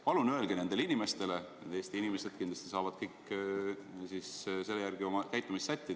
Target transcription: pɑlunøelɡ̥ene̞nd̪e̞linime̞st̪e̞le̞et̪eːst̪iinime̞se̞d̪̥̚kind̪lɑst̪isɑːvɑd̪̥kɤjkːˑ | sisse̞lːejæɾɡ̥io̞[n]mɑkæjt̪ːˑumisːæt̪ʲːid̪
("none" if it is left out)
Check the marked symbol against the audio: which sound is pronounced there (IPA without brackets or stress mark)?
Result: none